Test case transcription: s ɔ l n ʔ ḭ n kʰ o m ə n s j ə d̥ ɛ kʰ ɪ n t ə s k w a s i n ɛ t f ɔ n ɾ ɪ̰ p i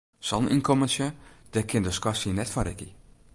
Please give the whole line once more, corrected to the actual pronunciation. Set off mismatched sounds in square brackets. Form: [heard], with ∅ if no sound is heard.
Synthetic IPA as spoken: s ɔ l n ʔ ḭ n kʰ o m ə n s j ə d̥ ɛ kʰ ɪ n [d] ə s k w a s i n ɛ t f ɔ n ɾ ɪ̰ [k] i